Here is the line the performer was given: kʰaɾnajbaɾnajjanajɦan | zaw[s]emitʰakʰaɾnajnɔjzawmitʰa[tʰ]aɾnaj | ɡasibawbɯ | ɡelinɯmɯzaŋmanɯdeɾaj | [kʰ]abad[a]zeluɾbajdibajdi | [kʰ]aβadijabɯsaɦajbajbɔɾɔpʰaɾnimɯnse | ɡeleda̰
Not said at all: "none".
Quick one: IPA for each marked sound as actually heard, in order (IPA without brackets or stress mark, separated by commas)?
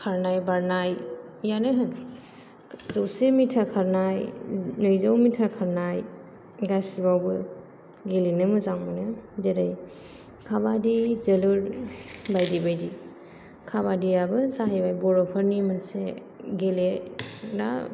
s, kʰ, kʰ, i, kʰ